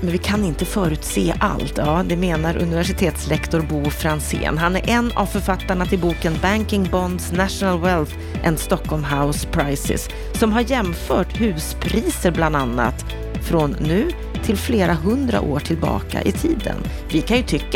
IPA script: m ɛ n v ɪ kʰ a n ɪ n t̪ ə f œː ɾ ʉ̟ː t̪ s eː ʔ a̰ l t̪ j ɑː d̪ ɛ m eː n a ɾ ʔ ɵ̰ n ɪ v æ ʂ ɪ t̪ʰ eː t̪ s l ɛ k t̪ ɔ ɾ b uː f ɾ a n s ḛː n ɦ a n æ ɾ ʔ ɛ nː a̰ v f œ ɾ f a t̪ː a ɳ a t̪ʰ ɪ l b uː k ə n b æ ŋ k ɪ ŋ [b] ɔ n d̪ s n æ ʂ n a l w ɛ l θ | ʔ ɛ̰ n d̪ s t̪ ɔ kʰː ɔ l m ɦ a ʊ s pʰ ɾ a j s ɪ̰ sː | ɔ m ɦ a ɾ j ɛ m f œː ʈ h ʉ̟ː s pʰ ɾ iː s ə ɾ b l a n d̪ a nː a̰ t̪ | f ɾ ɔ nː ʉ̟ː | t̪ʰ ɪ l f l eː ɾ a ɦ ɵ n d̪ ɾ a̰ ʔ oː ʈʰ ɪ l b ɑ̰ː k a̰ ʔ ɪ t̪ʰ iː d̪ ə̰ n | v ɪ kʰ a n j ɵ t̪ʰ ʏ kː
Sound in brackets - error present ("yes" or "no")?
no